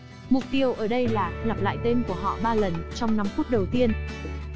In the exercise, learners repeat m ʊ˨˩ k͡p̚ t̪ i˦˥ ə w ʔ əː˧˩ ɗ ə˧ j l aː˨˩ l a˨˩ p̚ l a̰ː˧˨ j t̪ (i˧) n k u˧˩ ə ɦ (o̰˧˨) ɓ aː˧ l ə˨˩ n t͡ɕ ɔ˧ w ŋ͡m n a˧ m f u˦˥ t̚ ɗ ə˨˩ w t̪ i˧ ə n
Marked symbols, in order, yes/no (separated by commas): no, no